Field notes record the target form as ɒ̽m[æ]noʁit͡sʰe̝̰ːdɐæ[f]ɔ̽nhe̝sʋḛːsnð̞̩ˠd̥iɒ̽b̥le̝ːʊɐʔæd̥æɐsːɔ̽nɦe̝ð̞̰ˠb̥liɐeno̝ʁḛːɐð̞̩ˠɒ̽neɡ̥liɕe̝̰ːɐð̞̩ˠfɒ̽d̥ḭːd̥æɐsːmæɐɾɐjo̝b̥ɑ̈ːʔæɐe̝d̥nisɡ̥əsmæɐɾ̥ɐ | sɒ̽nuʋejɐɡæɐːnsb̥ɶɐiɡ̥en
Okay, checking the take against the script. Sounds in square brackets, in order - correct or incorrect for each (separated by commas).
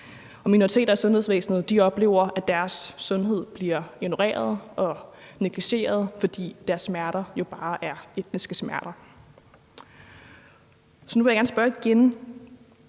incorrect, incorrect